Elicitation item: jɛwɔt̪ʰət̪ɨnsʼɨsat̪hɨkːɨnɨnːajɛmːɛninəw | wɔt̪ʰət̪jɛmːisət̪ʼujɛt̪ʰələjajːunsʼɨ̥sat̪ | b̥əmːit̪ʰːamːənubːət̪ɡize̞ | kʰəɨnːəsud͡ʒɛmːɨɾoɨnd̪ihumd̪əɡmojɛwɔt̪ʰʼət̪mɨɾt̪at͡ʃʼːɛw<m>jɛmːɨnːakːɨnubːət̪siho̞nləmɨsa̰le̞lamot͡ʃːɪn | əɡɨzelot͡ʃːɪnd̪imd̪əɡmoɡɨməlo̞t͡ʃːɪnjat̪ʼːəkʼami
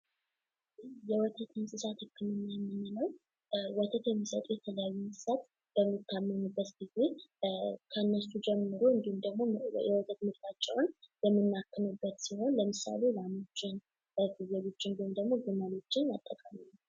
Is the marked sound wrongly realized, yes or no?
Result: yes